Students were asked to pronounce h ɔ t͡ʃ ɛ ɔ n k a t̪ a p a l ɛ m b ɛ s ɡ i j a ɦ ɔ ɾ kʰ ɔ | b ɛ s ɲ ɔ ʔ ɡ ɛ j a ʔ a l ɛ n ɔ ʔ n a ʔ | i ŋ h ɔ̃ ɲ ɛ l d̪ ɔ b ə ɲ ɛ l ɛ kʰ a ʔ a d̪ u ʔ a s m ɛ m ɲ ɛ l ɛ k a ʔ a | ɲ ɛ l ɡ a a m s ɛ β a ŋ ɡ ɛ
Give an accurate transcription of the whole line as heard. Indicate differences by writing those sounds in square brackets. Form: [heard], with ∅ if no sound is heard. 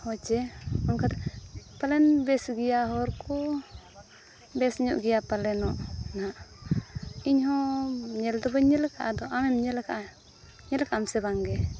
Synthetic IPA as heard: h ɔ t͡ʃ ɛ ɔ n k a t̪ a p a l ɛ [n] b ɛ s ɡ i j a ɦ ɔ ɾ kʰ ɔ | b ɛ s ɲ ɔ ʔ ɡ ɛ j a [p] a l ɛ n ɔ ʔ n a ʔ | i [ɲ] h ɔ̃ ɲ ɛ l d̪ ɔ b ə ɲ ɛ l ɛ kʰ a ʔ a d̪ [ɔ] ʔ a [∅] m ɛ m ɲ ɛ l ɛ k a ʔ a | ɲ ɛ l [k] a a m s ɛ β a ŋ ɡ ɛ